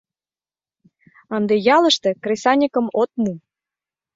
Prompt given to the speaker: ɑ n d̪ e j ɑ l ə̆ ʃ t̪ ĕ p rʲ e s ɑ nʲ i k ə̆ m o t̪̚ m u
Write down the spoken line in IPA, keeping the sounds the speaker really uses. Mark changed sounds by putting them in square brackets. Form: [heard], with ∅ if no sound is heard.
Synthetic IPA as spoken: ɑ n d̪ e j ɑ l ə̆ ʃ t̪ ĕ [k] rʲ e s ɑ nʲ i k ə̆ m o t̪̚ m u